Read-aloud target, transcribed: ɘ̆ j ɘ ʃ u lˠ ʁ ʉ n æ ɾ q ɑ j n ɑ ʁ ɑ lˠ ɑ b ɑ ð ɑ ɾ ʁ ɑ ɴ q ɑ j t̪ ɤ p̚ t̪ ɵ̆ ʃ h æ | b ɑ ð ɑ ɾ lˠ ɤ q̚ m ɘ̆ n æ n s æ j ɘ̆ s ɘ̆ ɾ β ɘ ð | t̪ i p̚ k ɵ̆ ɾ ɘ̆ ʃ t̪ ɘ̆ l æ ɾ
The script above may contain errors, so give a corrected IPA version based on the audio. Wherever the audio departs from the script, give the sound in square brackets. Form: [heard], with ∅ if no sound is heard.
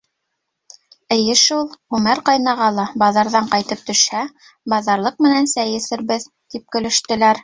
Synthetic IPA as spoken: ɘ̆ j ɘ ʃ u lˠ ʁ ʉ [m] æ ɾ q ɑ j n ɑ ʁ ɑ lˠ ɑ b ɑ ð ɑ ɾ [ð] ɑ ɴ q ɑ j t̪ ɤ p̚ t̪ ɵ̆ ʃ h æ | b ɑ ð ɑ ɾ lˠ ɤ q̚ m ɘ̆ n æ n s æ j ɘ̆ s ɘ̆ ɾ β ɘ ð | t̪ i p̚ k ɵ̆ [l] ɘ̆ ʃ t̪ ɘ̆ l æ ɾ